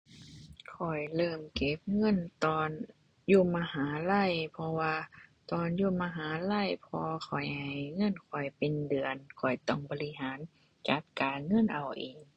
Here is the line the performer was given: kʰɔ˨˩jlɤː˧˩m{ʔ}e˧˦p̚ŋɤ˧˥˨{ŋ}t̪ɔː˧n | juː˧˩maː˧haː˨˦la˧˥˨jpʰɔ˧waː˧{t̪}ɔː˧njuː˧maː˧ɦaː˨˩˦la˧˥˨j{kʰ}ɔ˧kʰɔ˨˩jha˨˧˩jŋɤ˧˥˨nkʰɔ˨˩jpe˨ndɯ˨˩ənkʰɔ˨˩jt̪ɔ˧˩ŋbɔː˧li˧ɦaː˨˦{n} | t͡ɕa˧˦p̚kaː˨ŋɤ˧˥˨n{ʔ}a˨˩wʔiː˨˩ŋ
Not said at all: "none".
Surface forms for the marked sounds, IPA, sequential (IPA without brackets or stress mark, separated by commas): k, n, t̪, pʰ, n, ʔ